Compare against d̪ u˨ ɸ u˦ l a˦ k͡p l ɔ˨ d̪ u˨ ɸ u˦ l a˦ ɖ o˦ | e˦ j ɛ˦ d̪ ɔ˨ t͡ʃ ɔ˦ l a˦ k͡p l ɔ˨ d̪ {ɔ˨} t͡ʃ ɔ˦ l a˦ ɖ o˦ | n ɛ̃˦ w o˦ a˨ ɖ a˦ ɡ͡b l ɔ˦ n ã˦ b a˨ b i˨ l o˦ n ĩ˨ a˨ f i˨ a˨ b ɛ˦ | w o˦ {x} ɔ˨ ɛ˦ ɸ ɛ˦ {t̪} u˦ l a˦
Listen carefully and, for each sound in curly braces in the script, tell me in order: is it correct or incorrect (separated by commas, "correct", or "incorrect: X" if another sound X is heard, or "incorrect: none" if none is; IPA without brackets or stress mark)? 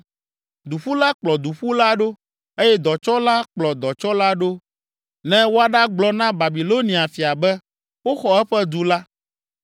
correct, correct, incorrect: d̪